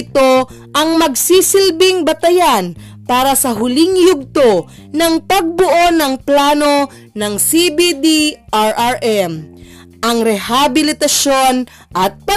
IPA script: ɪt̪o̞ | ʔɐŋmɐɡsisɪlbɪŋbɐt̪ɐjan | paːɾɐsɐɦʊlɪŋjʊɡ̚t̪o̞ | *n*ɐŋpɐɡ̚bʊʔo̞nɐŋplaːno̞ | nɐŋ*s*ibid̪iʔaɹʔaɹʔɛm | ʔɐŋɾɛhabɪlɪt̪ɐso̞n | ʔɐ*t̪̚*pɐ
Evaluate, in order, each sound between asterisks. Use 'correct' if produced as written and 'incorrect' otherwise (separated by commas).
correct, correct, correct